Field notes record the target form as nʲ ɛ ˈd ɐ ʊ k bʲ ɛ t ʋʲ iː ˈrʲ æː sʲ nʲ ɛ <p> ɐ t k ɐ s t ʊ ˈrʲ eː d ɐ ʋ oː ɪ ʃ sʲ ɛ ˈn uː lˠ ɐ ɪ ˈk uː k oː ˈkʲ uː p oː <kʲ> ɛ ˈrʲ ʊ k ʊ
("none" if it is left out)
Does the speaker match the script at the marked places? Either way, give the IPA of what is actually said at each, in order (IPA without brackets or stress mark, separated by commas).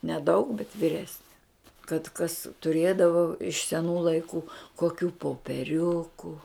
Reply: k, pʲ